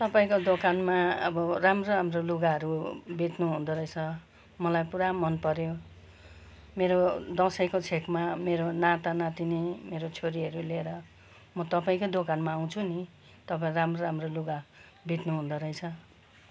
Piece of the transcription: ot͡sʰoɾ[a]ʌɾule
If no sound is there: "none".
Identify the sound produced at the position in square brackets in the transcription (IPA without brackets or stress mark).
i